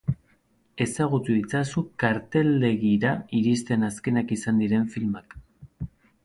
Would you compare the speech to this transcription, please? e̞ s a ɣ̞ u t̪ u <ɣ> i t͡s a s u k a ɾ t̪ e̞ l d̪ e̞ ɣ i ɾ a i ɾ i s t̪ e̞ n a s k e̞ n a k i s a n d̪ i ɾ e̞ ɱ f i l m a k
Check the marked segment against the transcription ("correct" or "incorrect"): incorrect